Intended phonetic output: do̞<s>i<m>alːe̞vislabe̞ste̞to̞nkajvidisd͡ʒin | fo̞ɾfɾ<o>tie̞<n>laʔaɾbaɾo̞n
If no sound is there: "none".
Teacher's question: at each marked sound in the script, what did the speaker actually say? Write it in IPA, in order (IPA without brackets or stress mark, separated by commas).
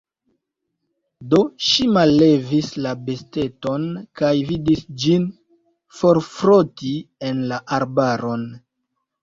ʃ, m, o, n